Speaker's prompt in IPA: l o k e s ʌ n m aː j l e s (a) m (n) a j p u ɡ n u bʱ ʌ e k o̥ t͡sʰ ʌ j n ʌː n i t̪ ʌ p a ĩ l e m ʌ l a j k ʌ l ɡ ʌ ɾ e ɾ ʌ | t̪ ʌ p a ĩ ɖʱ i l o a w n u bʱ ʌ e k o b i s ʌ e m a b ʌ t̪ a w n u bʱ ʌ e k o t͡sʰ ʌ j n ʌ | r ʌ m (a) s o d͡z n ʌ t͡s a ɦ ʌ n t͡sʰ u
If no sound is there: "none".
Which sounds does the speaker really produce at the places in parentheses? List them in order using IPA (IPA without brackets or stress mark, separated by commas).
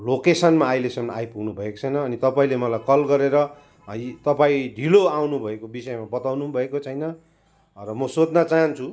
ʌ, n, ʌ